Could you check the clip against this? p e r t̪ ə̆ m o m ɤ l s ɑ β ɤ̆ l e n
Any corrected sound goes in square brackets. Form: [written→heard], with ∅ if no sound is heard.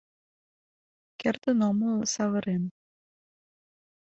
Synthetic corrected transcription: [p→k] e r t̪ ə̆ [m→n] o m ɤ l s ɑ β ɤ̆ [l→ɾ] e n